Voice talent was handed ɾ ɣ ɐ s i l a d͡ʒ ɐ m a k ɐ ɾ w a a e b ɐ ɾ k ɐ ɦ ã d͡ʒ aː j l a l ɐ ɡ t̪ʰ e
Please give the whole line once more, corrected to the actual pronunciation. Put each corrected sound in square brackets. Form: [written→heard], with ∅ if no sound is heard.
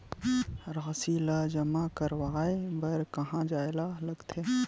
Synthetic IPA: ɾ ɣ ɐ s i l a d͡ʒ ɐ m a k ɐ ɾ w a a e b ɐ ɾ k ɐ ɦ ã d͡ʒ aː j l a l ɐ ɡ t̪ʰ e